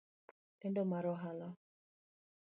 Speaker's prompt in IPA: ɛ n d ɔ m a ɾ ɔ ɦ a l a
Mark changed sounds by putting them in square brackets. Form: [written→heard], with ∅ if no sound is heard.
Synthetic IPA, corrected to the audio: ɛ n d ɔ m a ɾ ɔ ɦ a l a